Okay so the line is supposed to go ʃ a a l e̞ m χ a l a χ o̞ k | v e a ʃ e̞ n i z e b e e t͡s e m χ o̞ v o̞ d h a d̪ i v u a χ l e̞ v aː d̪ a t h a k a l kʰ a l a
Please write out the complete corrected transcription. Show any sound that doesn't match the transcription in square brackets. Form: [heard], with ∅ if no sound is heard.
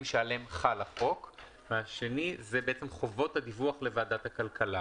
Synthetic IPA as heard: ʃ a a l e̞ m χ a l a χ o̞ k | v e a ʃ e̞ n i z e b e e t͡s e m χ o̞ v o̞ [t] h a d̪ i v u a χ l e̞ v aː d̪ a t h a k a l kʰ a l a

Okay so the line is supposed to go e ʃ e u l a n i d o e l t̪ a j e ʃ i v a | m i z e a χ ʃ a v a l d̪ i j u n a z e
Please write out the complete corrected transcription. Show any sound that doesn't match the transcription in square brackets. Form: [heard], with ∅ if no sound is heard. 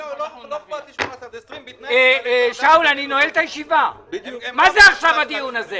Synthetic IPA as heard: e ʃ [a] u l a n i [n] o e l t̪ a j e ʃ i v a | m [a] z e a χ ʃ a v a [∅] d̪ i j u n a z e

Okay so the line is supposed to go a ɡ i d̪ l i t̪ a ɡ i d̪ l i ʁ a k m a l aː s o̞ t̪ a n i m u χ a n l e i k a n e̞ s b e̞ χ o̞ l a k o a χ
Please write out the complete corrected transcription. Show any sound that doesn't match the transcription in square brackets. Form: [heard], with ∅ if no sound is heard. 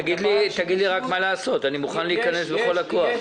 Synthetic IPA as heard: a ɡ i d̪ l i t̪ a ɡ i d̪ l i ʁ a k m a l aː s o̞ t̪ a n i m u χ a n l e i k a n e̞ s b e̞ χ o̞ l a k o a χ

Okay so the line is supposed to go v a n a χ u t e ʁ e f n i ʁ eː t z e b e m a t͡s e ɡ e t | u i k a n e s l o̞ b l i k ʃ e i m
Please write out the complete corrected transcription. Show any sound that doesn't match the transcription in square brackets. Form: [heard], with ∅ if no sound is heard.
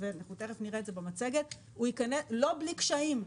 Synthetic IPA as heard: v [e] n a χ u t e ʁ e f n i ʁ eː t z e b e m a t͡s e ɡ e t | u i k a n e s l o̞ b l i k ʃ [a] i m

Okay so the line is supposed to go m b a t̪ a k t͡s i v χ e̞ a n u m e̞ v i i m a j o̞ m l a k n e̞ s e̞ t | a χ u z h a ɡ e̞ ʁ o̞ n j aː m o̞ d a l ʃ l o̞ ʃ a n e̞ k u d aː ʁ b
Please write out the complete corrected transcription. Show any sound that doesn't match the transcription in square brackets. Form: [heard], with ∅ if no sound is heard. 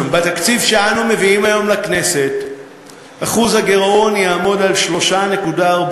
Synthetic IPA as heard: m b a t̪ a k t͡s i v [ʃ] e̞ a n u m e̞ v i i m a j o̞ m l a k n e̞ s e̞ t | a χ u z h a ɡ e̞ ʁ o̞ n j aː m o̞ d a l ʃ l o̞ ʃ a n e̞ k u d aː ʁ b

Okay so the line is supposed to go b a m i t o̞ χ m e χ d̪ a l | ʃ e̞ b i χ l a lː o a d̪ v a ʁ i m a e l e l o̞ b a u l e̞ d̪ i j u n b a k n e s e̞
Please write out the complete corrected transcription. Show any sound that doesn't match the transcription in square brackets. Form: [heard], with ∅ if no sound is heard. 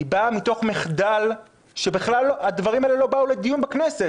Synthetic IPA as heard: b a m i t o̞ χ m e χ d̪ a l | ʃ e̞ b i χ l a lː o a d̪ v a ʁ i m a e l e l o̞ b a u l e̞ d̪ i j u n b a k n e s e̞

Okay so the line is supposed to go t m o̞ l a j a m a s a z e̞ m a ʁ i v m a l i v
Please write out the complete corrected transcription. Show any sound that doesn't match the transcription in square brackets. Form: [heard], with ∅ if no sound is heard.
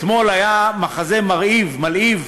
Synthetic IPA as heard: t m o̞ l a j a m a [χ] a z e̞ m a ʁ i v m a l i v

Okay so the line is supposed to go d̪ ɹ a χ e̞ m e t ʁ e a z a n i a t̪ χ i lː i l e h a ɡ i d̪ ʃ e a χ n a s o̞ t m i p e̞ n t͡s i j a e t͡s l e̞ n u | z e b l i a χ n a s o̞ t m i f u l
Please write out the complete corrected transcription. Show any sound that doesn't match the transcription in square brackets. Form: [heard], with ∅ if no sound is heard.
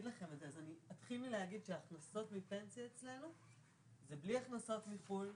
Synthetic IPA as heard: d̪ [l] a χ e̞ m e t [z] e a z a n i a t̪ χ i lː i l e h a ɡ i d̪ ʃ e a χ n a s o̞ t m i p e̞ n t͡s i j a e t͡s l e̞ n u | z e b l i a χ n a s o̞ t m i f u l

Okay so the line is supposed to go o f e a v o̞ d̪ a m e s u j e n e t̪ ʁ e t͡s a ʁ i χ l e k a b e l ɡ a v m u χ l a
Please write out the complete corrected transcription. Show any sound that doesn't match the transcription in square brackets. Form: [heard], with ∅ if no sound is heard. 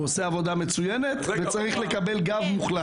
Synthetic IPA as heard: o [s] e a v o̞ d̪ a m e [t͡s] u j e n e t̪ [v] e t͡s a ʁ i χ l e k a b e l ɡ a v m u χ l a

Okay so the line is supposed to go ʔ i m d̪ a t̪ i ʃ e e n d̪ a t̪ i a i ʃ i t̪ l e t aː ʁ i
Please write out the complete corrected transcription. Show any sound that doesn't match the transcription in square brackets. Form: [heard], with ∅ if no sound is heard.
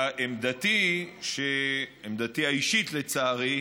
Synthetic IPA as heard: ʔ [e] m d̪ a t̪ i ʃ e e [m] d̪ a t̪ i a i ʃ i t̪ l e [t͡s] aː ʁ i

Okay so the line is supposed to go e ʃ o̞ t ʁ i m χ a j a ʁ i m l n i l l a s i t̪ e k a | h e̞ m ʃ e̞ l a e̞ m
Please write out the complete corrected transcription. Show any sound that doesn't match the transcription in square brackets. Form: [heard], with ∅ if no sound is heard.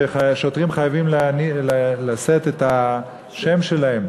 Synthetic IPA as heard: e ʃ o̞ t ʁ i m χ a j a [v] i m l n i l l a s [e] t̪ e [t] a | [ʃ] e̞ m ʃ e̞ l a e̞ m

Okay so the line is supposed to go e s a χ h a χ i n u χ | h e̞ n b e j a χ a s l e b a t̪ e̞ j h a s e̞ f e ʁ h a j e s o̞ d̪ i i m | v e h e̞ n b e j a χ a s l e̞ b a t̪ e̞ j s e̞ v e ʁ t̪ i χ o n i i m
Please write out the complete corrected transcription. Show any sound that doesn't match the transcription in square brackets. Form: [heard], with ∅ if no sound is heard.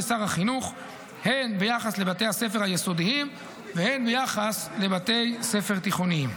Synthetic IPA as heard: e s a [ʁ] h a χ i n u χ | h e̞ n b e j a χ a s l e b a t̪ e̞ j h a s e̞ f e ʁ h a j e s o̞ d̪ i i m | v e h e̞ n b e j a χ a s l e̞ b a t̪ e̞ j s e̞ [f] e ʁ t̪ i χ o n i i m

